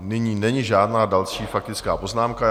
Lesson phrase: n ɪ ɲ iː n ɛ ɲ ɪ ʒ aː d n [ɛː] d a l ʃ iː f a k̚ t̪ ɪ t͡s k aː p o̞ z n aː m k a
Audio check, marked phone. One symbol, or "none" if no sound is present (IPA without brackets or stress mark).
aː